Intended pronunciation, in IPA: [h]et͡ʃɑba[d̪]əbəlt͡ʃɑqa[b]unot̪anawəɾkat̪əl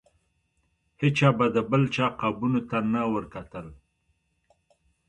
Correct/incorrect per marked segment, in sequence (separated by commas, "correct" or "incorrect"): correct, correct, correct